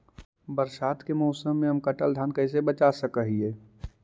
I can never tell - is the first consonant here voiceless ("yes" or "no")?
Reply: no